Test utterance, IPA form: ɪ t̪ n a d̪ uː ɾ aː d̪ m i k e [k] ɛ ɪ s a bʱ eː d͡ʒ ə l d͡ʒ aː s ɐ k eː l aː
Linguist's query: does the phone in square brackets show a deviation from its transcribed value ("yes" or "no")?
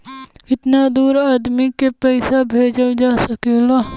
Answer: yes